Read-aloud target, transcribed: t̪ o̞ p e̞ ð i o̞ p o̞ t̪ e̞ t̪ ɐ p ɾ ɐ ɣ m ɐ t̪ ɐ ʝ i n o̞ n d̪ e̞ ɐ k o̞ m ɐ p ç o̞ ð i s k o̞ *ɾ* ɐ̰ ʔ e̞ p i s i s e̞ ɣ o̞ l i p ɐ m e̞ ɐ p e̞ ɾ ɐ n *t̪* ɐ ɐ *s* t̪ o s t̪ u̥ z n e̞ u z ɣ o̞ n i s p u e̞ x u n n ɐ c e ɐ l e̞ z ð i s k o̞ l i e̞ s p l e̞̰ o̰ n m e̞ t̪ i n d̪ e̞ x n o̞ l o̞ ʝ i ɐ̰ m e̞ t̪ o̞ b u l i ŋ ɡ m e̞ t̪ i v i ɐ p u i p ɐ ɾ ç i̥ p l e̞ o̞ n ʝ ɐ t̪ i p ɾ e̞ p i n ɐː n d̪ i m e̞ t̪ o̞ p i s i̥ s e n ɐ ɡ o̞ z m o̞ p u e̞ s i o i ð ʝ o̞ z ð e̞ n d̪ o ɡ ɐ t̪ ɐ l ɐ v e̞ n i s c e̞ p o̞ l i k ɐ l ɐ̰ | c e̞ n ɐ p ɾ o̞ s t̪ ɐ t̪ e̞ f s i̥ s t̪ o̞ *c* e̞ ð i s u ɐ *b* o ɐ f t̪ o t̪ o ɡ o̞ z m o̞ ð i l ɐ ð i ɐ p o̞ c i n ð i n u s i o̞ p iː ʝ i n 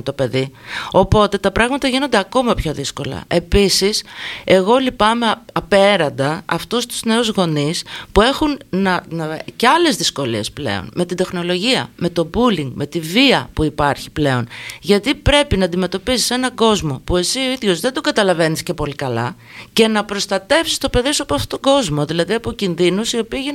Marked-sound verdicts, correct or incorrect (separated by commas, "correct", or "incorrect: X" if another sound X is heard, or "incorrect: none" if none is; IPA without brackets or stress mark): incorrect: l, incorrect: d̪, incorrect: f, incorrect: p, incorrect: p